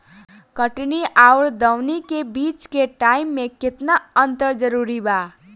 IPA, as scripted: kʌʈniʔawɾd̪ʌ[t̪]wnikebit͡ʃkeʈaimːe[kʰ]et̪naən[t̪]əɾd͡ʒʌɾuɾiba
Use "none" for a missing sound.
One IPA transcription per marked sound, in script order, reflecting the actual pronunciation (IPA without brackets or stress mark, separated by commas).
none, k, t̪